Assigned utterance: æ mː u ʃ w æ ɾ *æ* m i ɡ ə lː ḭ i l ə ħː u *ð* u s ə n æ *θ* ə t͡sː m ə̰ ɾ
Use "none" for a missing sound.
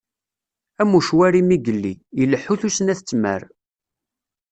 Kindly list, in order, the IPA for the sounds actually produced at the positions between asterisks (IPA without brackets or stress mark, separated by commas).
i, θ, θ